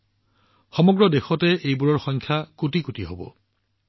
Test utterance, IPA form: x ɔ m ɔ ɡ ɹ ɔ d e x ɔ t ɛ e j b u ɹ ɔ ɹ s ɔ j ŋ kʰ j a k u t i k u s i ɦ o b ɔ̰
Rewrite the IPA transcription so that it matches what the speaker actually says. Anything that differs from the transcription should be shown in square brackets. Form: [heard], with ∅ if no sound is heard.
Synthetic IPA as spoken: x ɔ m ɔ ɡ ɹ ɔ d e x ɔ t ɛ e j b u ɹ ɔ ɹ [x] ɔ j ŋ kʰ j a k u t i k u [t] i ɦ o b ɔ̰

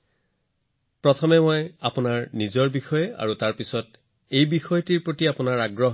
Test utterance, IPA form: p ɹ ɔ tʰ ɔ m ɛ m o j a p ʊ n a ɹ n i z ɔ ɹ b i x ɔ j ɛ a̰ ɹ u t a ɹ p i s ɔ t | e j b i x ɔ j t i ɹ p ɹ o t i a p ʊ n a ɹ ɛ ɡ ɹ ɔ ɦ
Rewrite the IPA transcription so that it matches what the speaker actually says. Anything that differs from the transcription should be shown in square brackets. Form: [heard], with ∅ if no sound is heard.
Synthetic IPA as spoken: p ɹ ɔ tʰ ɔ m ɛ m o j a p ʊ n a ɹ n i z ɔ ɹ b i x ɔ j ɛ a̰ ɹ u t a ɹ p i s ɔ t | e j b i x ɔ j t i ɹ p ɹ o t i a p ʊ n a ɹ [a] ɡ ɹ ɔ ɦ

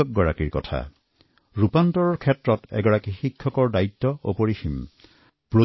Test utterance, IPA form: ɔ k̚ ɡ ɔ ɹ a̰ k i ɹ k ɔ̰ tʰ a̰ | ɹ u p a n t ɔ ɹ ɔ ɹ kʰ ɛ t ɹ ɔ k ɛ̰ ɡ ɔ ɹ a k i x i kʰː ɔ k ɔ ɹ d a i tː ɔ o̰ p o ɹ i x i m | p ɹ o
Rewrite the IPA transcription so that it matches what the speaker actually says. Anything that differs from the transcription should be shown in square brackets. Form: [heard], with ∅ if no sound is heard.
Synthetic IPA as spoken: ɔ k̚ ɡ ɔ ɹ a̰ k i ɹ k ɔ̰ tʰ a̰ | ɹ u p a n t ɔ ɹ ɔ ɹ kʰ ɛ t ɹ ɔ [t] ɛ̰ ɡ ɔ ɹ a k i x i kʰː ɔ k ɔ ɹ d a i tː ɔ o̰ p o ɹ i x i m | p ɹ o

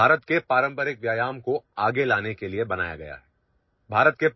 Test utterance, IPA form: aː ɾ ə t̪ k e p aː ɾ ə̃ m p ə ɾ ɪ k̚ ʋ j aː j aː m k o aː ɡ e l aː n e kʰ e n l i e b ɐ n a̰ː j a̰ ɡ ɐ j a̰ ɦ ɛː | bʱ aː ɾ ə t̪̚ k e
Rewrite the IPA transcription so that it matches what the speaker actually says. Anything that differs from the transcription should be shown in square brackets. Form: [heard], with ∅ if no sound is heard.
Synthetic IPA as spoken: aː ɾ ə t̪ k e p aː ɾ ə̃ m p ə ɾ ɪ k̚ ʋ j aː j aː m k o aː ɡ e l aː n e [k] e [∅] l i e b ɐ n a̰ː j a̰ ɡ ɐ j a̰ ɦ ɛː | bʱ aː ɾ ə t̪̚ k e

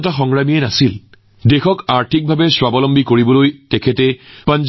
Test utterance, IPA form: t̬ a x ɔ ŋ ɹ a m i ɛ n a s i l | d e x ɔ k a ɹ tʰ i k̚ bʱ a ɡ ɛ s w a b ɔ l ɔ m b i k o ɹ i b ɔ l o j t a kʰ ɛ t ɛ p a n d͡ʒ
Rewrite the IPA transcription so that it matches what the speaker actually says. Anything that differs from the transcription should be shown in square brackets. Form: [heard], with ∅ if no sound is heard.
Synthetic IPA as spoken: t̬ a x ɔ ŋ ɹ a m i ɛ n a s i l | d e x ɔ k a ɹ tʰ i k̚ bʱ a [b] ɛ s w a b ɔ l ɔ m b i k o ɹ i b ɔ l o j t [ɛ] kʰ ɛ t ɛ p a n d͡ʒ

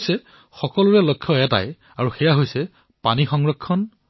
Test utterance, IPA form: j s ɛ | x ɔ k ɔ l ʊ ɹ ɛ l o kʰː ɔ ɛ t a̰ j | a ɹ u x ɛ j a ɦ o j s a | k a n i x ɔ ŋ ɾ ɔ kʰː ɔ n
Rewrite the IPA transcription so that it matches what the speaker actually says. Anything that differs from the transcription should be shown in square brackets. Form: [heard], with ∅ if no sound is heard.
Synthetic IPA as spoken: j s ɛ | x ɔ k ɔ l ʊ ɹ ɛ l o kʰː ɔ ɛ t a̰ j | a ɹ u x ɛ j a ɦ o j s [ɛ] | [p] a n i x ɔ ŋ [ɹ] ɔ kʰː ɔ n

